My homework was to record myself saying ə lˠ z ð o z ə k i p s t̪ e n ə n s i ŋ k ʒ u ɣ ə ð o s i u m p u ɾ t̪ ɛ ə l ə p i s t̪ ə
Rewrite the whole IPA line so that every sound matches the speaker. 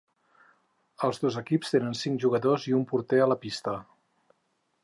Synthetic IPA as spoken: ə lˠ z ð o z ə k i p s t̪ e n ə n s i ŋ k ʒ u ɣ ə ð o z i u m p u ɾ t̪ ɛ ə l ə p i s t̪ ə